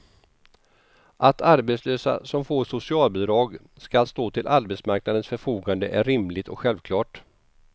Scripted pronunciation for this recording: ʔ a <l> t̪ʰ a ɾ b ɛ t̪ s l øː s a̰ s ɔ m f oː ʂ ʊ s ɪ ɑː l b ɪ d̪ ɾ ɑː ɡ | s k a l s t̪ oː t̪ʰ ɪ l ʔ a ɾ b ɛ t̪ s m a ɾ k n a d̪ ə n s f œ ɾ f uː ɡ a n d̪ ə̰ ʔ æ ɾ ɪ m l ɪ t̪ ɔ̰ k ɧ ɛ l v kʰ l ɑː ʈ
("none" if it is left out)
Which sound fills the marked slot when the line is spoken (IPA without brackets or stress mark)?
none